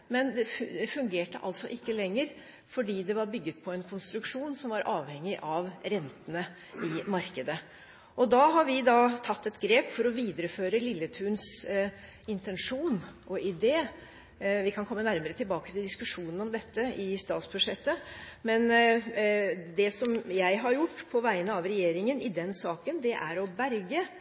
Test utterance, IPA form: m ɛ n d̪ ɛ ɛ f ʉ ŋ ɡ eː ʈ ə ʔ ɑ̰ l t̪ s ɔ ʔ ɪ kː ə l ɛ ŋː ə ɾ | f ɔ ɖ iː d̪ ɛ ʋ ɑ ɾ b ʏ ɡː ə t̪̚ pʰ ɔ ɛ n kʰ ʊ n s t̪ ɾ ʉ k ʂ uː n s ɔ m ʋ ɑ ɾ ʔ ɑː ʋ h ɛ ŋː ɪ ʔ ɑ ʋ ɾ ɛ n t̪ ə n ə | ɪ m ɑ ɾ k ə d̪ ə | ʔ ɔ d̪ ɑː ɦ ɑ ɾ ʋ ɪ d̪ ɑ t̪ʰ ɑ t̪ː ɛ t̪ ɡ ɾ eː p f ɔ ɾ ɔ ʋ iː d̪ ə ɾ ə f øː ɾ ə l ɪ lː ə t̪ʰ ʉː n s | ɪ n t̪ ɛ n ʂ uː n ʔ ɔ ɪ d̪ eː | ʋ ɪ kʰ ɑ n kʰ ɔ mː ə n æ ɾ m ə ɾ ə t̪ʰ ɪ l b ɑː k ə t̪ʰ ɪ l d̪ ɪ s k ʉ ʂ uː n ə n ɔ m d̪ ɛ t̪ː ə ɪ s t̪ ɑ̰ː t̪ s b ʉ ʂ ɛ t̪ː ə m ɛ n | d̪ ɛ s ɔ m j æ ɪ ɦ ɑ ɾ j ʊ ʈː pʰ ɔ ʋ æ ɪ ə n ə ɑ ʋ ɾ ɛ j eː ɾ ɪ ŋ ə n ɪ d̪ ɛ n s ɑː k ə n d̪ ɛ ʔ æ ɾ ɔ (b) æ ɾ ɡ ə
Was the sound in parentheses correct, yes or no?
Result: yes